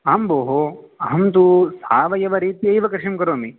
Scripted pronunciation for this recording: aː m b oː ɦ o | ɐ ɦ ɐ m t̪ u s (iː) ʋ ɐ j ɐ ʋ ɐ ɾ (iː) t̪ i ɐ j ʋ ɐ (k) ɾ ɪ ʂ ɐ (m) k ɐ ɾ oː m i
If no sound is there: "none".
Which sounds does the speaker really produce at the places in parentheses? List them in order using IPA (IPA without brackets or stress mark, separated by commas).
aː, iː, k, m